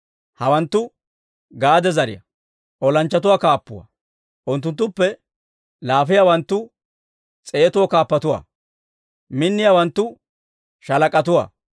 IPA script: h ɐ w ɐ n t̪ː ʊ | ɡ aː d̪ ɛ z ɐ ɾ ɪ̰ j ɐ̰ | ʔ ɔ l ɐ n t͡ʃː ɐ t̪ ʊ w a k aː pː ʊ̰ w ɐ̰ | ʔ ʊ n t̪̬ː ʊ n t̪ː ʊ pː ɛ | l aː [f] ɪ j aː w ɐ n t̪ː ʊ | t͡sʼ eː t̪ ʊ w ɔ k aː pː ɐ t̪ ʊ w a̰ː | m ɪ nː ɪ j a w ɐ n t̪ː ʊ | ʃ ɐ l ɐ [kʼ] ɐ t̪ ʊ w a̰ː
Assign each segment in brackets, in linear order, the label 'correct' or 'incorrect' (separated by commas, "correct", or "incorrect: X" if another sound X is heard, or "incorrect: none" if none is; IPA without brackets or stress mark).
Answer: correct, correct